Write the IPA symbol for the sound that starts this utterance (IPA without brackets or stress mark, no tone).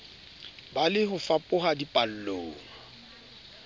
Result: b